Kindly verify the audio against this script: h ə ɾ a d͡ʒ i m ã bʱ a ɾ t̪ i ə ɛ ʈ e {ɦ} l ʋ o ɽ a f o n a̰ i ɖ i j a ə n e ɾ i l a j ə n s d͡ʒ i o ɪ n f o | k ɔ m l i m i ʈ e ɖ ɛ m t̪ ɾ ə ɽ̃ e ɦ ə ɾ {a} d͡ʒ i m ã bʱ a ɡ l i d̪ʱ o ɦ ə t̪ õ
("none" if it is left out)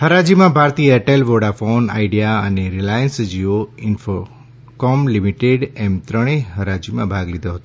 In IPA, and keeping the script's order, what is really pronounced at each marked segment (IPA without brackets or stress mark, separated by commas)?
none, a